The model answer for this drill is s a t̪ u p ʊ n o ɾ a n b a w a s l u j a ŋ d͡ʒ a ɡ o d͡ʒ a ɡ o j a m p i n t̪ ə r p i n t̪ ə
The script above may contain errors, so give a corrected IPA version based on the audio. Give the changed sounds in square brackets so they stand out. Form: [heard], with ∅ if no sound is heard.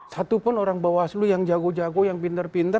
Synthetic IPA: s a t̪ u p ʊ n o ɾ a [ŋ] b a w a s l u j a ŋ d͡ʒ a ɡ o d͡ʒ a ɡ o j a [ŋ] p i n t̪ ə r p i n t̪ ə